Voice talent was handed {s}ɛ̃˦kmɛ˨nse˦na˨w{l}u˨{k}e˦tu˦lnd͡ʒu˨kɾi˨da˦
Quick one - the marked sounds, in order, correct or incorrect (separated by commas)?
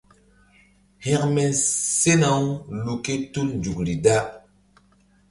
incorrect, correct, correct